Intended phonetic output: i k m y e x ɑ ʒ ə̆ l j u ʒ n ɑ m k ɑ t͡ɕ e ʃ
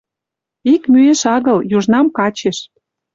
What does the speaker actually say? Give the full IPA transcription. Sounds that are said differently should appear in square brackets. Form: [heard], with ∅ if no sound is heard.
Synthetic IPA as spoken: i k m y e [ʃ] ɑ [ɣ] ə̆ l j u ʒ n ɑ m k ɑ t͡ɕ e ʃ